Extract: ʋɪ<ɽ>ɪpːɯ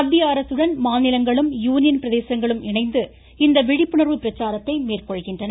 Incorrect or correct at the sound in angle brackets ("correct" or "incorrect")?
correct